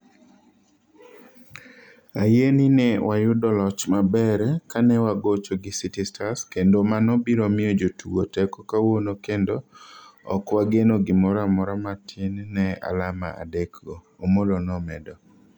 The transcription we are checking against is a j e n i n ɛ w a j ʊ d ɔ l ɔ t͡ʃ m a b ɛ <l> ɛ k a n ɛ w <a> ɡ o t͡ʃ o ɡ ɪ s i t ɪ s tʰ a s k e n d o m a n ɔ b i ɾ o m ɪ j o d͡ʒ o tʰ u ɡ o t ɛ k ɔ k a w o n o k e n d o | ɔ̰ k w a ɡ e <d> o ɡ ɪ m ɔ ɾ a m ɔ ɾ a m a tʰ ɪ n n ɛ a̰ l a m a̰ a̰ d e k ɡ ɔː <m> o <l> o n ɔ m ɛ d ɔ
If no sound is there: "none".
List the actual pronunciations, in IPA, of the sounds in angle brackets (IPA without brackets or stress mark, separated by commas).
ɾ, a, n, m, l